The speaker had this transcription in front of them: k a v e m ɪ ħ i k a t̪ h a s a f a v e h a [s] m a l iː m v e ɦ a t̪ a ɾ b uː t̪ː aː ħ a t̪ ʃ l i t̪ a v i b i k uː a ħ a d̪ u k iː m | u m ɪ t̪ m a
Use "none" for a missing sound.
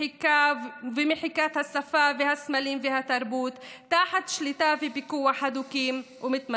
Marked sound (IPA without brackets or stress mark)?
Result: s